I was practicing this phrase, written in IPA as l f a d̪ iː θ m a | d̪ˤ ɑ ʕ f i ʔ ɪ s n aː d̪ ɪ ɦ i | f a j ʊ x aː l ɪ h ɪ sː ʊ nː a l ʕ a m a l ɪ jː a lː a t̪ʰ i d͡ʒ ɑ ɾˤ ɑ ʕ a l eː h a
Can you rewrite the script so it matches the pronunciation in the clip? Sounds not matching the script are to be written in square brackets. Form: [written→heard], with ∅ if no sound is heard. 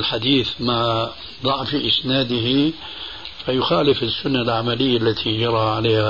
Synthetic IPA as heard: l [f→ħ] a d̪ iː θ m a | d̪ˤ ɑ ʕ f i ʔ ɪ s n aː d̪ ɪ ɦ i | f a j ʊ x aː l ɪ [h→f] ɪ sː ʊ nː a l ʕ a m a l ɪ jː a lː a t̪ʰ i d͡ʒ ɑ ɾˤ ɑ ʕ a l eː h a